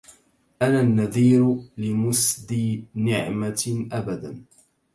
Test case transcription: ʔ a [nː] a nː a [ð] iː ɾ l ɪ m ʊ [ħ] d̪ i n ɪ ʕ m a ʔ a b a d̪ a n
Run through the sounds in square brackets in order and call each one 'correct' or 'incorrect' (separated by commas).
incorrect, correct, incorrect